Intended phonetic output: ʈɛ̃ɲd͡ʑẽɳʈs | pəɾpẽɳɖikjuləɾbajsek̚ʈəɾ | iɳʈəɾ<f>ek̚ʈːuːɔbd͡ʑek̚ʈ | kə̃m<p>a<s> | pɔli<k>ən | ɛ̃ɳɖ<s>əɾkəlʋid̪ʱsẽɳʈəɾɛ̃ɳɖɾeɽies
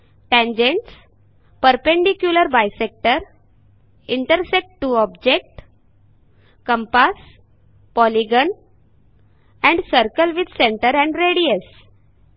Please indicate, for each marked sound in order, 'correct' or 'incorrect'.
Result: incorrect, correct, correct, incorrect, correct

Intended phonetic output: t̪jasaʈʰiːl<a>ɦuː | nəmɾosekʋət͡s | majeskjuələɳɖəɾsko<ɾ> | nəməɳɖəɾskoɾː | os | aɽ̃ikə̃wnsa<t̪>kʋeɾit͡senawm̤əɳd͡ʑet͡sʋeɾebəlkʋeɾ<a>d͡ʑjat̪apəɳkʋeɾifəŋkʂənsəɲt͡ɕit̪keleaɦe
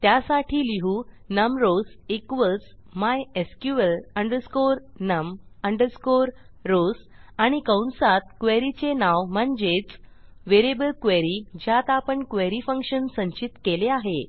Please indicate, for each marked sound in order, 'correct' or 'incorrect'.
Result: incorrect, correct, correct, incorrect

